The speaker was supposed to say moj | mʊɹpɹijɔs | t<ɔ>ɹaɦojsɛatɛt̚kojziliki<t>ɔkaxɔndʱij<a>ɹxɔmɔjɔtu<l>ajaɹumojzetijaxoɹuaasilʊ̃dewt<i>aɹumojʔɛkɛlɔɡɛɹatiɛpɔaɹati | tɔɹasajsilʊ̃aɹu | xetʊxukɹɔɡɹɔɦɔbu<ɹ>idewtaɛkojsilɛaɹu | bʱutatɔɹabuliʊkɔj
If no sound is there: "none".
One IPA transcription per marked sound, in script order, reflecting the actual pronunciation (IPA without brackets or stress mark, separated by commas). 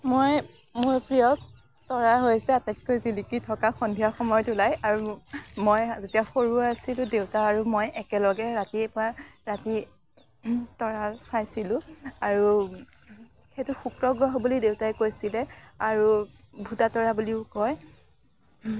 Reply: ɔ, tʰ, a, l, a, l